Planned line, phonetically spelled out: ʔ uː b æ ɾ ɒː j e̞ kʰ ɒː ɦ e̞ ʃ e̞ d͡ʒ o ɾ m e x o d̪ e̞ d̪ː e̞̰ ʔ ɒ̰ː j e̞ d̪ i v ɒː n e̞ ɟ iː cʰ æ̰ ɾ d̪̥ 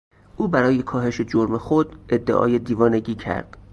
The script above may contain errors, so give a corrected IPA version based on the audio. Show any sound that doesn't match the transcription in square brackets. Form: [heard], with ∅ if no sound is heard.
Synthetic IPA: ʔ uː b æ ɾ ɒː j e̞ kʰ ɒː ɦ e̞ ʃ e̞ d͡ʒ o ɾ m e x o d̪ e̞ d̪ː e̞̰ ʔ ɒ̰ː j e̞ d̪ [iː] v ɒː n e̞ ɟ iː cʰ æ̰ ɾ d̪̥